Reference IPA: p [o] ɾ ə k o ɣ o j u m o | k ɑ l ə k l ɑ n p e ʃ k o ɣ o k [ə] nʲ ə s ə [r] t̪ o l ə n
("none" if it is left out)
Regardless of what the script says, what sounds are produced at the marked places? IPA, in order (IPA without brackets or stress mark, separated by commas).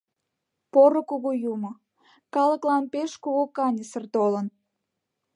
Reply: o, ɑ, r